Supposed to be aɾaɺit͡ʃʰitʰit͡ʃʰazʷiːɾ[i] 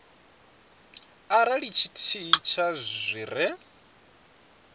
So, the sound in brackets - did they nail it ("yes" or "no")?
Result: no